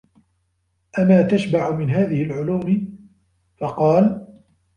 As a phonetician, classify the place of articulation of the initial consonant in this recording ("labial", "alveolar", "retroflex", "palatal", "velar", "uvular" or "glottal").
glottal